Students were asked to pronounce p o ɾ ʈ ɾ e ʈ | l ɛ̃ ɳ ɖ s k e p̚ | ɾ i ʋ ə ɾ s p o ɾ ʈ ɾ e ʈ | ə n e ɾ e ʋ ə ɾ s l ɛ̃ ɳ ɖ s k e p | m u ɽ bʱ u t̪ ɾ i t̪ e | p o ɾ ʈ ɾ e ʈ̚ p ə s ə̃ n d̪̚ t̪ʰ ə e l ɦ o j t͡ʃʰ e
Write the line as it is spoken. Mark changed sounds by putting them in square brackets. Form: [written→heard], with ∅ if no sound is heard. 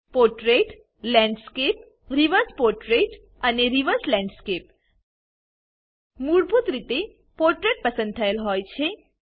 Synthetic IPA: p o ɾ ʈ ɾ e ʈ | l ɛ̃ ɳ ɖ s k e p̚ | ɾ i ʋ ə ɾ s p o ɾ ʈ ɾ e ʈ | ə n e ɾ [e→i] ʋ ə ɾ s l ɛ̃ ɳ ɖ s k e p | m u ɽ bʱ u t̪ ɾ i t̪ e | p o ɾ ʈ ɾ e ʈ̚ p ə s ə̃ n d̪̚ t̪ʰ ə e l ɦ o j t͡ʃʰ e